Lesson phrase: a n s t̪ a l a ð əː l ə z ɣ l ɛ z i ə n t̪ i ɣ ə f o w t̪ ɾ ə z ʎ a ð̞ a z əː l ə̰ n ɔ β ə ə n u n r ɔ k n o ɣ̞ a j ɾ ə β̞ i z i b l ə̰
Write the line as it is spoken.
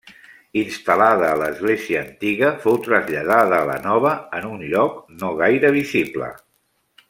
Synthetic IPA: i n s t̪ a l a ð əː l ə z ɣ l e z i əː n t̪ i ɣ ə f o w t̪ ɾ ə z ʎ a ð̞ a ð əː l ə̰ n ɔ β ə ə n u n ʎ ɔ k n o ɣ̞ a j ɾ ə β̞ i z i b l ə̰